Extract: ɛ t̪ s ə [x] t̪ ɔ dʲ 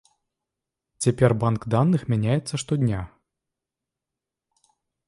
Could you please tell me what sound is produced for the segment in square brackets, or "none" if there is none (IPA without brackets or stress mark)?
ʂ